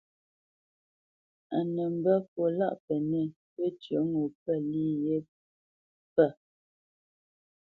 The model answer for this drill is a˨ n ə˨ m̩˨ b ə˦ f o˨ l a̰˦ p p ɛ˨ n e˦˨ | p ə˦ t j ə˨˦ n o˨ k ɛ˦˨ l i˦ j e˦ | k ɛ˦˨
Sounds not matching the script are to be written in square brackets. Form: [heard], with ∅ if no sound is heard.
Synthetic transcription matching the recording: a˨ n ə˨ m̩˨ b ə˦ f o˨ l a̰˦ [ʔ] p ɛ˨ n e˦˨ | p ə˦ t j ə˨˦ [ŋ] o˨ [p] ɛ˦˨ l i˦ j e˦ | [p] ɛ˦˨

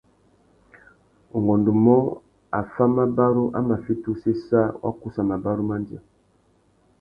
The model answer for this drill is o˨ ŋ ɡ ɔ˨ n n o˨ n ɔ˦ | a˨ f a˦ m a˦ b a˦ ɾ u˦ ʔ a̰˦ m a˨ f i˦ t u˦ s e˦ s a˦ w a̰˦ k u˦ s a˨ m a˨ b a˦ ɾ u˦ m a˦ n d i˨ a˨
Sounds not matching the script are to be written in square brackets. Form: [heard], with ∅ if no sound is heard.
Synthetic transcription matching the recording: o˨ ŋ ɡ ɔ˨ n [d] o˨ [m] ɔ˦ | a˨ f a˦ m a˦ b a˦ ɾ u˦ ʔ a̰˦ m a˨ f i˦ t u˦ s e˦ s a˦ w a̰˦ k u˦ s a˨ m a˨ b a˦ ɾ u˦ m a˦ n d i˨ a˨

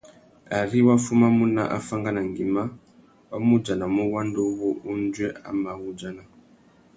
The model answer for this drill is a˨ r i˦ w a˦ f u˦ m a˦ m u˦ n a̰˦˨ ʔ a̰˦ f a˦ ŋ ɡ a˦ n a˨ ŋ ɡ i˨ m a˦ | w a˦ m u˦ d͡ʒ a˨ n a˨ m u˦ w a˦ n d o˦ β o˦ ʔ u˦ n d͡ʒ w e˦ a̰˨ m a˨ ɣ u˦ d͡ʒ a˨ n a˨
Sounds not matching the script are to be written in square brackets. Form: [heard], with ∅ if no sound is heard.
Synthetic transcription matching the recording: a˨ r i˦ w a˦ f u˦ m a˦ m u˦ n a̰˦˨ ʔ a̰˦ f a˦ ŋ ɡ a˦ n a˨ ŋ ɡ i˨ m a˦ | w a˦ m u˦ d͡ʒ a˨ n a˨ m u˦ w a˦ n d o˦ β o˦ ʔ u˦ n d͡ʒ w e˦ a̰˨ m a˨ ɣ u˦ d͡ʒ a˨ n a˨

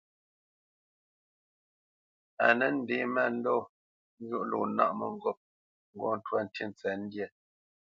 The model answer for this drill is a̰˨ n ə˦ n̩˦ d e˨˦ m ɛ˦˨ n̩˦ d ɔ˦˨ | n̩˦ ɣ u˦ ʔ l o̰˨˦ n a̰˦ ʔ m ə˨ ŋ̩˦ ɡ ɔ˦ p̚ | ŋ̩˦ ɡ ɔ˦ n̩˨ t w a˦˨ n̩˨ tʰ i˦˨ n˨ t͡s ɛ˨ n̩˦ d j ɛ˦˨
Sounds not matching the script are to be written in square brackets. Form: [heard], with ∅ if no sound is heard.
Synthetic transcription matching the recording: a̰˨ n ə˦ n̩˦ d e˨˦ m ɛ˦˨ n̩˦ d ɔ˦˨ | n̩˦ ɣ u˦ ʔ l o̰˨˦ n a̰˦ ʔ m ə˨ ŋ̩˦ ɡ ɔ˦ p̚ | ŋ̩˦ ɡ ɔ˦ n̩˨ t w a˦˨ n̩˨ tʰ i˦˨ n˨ t͡s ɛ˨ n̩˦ d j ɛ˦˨

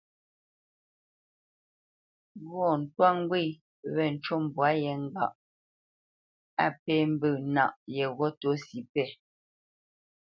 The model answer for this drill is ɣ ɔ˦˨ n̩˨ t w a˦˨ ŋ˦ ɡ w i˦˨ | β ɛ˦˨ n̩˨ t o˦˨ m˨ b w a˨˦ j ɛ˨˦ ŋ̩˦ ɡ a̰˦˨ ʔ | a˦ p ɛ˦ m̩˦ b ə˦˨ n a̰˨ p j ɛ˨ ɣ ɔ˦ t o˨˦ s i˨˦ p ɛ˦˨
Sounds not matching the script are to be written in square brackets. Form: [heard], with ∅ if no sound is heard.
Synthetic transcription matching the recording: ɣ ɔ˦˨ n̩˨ t w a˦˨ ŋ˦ ɡ w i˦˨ | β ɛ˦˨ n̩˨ [t͡ʃ] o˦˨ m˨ b w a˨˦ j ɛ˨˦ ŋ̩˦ ɡ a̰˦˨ ʔ | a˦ p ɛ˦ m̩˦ b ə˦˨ n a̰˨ [ʔ] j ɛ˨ ɣ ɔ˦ t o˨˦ s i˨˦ p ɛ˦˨

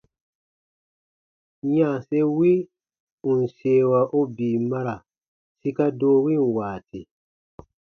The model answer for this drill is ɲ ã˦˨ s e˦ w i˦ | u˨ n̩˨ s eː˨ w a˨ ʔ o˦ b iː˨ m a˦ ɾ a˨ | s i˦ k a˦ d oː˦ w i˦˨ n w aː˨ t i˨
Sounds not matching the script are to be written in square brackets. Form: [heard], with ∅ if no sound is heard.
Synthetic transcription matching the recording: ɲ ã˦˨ s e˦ w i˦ | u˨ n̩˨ s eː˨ w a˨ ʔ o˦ b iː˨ m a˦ ɾ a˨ | s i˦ k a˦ d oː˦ w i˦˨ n w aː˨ t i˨

